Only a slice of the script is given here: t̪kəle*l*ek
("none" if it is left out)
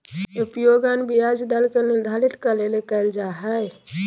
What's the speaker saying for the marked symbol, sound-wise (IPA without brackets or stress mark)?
l